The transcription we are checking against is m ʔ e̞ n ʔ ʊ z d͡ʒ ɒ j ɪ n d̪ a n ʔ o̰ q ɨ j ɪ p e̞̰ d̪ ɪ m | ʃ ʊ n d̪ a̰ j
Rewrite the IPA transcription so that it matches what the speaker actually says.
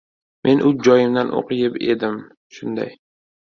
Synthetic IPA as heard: m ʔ e̞ n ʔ ʊ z d͡ʒ ɒ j ɪ m d̪ a n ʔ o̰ q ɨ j ɪ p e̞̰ d̪ ɪ m | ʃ ʊ n d̪ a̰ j